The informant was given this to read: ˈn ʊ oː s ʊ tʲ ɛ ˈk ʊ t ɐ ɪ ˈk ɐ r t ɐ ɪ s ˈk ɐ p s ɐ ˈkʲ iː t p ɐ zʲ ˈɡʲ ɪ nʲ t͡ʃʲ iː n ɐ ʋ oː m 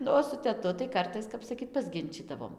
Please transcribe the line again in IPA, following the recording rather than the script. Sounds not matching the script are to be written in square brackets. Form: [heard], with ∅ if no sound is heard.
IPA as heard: ˈn ʊ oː s ʊ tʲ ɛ [ˈt] ʊ t ɐ ɪ ˈk ɐ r t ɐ ɪ s ˈk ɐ p s ɐ ˈkʲ iː t p ɐ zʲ ˈɡʲ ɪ nʲ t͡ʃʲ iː [d] ɐ ʋ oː m